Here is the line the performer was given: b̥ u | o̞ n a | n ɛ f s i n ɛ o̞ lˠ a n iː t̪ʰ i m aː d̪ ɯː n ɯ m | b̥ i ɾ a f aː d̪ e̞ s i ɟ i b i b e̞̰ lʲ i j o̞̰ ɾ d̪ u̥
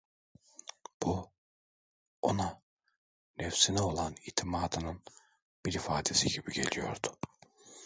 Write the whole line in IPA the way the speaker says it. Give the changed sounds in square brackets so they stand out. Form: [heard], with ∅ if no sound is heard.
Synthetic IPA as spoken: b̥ u | o̞ n a | n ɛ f s i n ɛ o̞ lˠ a n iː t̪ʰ i m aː d̪ [ɯ] n ɯ [n] | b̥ i ɾ [i] f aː d̪ e̞ s i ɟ i b i [ɟ] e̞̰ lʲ i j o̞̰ ɾ d̪ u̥